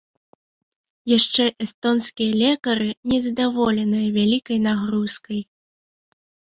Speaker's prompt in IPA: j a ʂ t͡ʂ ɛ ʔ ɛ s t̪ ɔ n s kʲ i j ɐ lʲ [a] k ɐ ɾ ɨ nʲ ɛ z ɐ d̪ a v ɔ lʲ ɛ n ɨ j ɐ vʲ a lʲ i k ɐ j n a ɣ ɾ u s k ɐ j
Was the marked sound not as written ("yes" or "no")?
yes